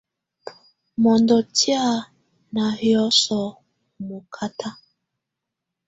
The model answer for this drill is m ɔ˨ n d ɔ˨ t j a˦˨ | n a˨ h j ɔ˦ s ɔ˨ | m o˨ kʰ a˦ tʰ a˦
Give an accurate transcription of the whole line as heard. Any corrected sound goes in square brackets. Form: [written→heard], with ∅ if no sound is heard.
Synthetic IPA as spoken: m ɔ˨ n d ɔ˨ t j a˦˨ | n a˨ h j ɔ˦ s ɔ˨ | m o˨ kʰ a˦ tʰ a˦